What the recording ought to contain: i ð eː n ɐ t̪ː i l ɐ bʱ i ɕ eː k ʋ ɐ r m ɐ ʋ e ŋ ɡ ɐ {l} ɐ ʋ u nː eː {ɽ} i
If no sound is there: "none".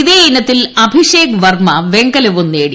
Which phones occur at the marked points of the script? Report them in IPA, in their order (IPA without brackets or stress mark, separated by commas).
l, ɽ